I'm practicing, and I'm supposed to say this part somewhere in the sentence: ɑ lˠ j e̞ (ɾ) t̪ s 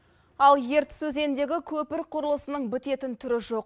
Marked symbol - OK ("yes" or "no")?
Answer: yes